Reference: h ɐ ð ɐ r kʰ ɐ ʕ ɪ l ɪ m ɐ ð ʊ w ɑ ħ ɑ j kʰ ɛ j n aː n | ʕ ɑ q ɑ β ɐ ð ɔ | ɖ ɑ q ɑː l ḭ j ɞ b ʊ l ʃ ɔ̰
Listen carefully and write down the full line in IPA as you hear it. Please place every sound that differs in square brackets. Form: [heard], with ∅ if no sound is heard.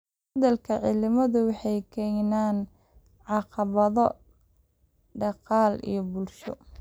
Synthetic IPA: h ɐ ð ɐ [l] kʰ ɐ ʕ ɪ l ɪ m ɐ ð ʊ w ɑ ħ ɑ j kʰ ɛ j n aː n | ʕ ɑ q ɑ β ɐ ð ɔ | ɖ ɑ q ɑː l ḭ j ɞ b ʊ l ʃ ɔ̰